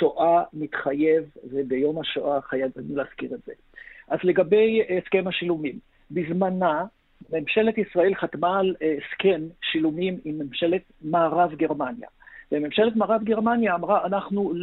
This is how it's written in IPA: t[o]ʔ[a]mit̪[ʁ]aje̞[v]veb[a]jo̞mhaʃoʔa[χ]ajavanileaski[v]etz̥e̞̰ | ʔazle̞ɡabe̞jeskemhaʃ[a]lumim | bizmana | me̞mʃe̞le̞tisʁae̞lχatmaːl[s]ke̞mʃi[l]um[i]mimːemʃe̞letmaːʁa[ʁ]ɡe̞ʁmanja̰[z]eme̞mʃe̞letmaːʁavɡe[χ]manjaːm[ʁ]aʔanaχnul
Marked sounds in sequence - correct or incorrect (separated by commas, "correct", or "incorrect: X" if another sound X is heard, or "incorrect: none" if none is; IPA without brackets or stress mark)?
correct, correct, incorrect: χ, correct, incorrect: e, correct, incorrect: ʁ, incorrect: i, correct, correct, correct, incorrect: v, incorrect: v, incorrect: ʁ, correct